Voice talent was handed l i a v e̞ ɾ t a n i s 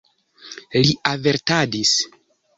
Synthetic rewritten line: l i a v e̞ ɾ t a d i s